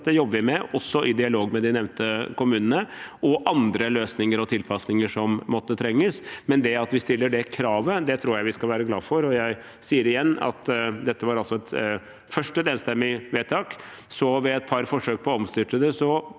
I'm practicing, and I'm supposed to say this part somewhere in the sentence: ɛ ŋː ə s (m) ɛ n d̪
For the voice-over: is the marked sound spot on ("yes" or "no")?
yes